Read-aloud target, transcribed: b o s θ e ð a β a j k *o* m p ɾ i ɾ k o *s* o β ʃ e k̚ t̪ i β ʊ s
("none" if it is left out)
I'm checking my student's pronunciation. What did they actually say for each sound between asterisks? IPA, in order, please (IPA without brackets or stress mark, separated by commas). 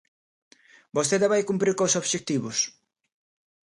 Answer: u, s